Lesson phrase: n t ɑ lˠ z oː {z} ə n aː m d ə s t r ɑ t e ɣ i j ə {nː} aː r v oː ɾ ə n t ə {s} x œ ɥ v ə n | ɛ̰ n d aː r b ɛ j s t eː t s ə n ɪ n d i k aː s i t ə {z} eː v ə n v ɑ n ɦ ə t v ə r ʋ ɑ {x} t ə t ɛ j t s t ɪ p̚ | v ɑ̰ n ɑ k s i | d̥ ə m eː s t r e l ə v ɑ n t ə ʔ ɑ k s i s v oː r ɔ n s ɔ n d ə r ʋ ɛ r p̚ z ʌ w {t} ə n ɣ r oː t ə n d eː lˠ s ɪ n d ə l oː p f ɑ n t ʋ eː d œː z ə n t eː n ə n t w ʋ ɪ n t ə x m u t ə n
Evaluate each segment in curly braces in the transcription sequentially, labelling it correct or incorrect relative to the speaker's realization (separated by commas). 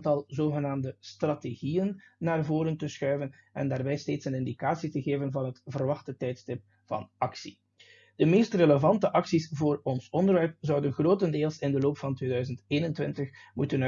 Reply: incorrect, correct, correct, incorrect, correct, incorrect